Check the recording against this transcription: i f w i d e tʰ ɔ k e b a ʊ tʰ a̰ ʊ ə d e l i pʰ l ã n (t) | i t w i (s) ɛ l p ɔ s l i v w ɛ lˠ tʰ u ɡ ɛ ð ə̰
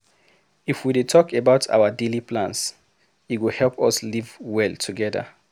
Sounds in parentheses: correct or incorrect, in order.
incorrect, incorrect

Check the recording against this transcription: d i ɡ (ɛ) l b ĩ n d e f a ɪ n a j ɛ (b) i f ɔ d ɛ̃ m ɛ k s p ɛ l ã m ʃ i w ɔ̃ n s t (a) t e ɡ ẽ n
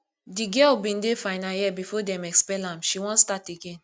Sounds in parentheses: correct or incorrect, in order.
correct, correct, correct

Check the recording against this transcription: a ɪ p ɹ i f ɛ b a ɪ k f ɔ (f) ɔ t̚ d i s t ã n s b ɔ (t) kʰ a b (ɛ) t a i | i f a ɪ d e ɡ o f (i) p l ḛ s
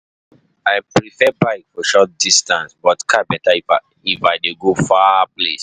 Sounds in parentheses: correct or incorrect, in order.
incorrect, correct, correct, incorrect

